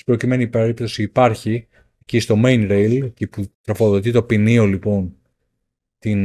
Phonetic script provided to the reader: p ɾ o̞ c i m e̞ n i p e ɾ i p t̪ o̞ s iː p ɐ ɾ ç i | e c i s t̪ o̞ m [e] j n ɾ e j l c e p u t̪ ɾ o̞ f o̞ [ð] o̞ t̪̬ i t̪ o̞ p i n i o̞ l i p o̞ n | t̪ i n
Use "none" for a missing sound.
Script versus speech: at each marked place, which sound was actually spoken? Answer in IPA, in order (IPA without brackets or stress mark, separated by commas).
e, ð